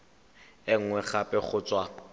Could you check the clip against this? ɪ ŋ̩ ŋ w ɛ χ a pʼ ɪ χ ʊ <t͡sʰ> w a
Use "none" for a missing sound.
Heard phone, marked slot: t͡s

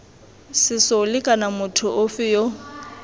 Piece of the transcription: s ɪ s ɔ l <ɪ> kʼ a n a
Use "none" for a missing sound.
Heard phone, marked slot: ɪ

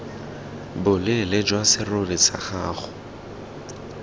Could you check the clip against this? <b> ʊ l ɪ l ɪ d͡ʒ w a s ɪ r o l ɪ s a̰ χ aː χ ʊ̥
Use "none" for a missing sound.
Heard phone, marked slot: b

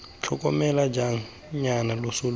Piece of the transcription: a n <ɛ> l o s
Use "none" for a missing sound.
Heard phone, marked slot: a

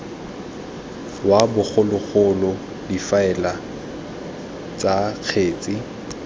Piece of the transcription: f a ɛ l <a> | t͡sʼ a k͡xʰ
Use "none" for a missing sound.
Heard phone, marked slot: a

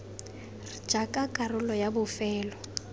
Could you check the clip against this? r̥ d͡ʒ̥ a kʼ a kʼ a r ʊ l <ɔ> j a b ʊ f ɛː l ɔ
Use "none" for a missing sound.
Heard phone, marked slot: ɔ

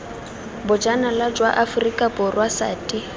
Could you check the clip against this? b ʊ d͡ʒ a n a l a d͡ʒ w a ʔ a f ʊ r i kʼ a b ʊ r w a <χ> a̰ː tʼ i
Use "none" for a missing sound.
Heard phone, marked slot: s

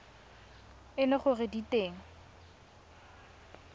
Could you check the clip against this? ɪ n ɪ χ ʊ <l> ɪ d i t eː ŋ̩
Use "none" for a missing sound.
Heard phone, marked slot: r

